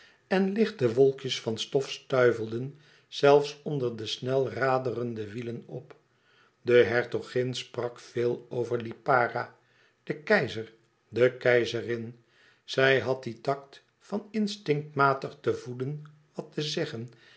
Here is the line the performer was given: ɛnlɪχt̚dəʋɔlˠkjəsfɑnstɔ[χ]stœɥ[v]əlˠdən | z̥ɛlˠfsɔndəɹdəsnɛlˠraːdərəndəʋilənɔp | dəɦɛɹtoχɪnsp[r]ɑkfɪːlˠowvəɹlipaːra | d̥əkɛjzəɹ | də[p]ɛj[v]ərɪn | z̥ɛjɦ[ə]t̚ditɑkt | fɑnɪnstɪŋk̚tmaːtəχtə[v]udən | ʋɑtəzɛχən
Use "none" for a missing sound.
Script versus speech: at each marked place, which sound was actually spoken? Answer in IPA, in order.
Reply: f, v, r, k, z, ɑ, v

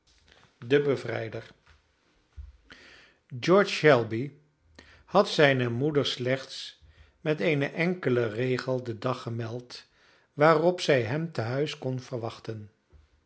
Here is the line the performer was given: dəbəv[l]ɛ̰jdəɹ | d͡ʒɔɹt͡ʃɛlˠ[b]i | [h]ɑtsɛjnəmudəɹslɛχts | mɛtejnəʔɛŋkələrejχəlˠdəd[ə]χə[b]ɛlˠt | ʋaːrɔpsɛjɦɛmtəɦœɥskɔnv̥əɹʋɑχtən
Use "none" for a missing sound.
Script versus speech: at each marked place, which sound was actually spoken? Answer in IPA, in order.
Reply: r, b, h, ɑ, m

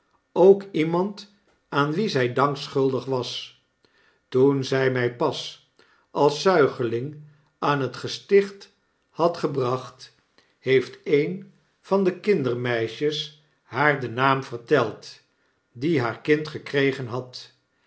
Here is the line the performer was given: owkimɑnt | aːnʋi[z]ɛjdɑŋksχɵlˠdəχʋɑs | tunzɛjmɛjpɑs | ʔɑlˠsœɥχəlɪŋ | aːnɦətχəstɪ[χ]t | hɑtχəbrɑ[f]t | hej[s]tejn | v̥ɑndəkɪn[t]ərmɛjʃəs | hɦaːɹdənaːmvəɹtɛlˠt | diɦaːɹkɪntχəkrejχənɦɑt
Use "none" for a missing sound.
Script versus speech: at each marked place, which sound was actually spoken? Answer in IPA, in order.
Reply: z, χ, χ, f, d

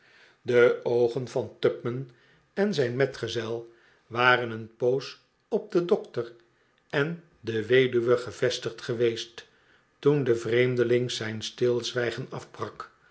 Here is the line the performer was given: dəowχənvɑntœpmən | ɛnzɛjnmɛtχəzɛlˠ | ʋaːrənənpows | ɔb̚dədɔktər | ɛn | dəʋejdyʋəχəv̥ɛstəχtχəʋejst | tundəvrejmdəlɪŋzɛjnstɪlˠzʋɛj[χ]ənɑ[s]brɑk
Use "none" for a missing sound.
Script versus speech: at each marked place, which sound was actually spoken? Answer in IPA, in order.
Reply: χ, f

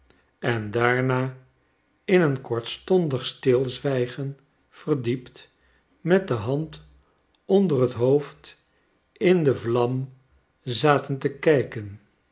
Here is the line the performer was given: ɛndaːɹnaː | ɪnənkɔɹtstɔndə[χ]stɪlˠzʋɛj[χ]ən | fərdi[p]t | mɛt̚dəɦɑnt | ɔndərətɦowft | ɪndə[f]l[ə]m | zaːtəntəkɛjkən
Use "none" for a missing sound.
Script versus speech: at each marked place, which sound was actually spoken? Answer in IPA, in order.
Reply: χ, χ, p, v, ɑ

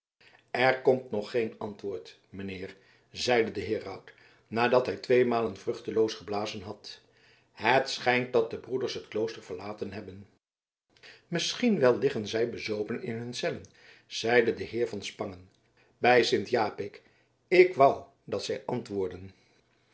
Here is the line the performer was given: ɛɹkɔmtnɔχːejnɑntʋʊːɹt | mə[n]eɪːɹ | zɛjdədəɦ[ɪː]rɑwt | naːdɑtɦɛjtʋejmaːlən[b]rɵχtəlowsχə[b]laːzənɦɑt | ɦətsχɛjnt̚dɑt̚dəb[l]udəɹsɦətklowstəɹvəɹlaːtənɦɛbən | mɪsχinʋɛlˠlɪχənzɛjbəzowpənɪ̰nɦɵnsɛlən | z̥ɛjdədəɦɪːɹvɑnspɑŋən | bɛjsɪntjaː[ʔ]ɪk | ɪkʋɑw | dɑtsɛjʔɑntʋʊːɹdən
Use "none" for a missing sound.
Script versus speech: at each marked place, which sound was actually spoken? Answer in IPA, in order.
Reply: n, ɪː, v, b, r, p

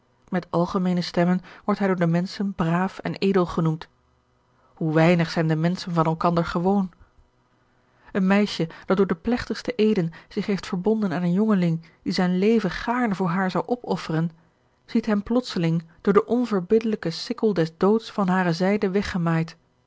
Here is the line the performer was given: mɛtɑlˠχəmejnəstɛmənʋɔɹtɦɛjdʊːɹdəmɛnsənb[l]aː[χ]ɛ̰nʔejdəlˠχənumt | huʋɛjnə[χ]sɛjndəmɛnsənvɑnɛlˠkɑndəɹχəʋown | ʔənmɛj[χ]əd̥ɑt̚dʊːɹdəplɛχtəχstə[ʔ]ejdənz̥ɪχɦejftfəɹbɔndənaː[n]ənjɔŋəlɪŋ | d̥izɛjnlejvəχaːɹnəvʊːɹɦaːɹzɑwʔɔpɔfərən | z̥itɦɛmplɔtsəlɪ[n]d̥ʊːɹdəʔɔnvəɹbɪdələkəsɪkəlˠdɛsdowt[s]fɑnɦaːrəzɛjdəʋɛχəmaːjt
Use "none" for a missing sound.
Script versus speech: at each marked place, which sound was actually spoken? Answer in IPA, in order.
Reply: r, f, χ, ʃ, ʔ, n, ŋ, s

